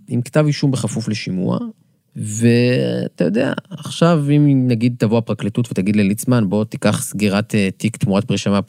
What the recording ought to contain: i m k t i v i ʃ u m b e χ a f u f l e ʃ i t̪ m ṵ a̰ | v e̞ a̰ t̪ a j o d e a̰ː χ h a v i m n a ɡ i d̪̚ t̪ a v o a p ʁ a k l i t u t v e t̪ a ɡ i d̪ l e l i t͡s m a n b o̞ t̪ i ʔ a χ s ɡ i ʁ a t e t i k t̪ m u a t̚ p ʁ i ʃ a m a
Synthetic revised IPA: i m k t a v i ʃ u m b e χ a f u f l e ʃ i m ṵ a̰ | v e̞ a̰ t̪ a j o d e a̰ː χ ʃ a v i m n a ɡ i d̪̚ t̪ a v o a p ʁ a k l i t u t v e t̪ a ɡ i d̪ l e l i t͡s m a n b o̞ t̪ i k a χ s ɡ i ʁ a t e t i k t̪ m u a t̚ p ʁ i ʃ a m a